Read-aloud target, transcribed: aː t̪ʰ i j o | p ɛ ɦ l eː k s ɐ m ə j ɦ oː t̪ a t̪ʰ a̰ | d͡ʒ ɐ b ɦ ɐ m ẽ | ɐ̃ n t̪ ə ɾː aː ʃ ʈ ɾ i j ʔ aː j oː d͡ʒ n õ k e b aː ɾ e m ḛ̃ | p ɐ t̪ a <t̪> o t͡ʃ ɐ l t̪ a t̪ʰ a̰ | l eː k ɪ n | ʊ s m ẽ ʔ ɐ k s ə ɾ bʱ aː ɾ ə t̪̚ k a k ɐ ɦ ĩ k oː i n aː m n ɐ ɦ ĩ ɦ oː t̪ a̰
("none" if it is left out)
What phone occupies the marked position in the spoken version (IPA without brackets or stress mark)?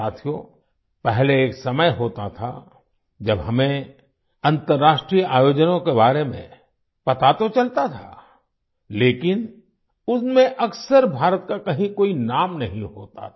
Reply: t̪